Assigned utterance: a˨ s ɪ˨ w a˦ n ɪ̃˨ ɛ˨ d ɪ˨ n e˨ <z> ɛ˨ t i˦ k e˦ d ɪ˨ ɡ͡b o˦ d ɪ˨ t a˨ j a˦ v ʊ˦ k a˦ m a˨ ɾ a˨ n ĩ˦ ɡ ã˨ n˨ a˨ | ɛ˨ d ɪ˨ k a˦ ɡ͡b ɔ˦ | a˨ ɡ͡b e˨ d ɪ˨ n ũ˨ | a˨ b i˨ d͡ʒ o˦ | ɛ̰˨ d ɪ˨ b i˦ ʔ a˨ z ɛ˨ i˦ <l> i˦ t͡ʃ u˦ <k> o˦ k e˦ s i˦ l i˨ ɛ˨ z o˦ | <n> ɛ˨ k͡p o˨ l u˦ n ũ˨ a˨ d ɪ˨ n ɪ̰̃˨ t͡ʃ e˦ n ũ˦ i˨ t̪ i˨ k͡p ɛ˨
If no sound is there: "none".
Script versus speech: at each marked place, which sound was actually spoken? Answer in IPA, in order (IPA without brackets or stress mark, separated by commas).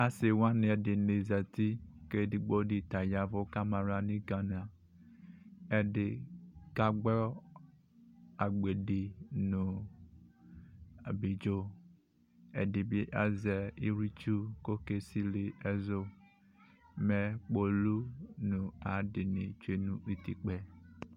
z, ɾ, k, m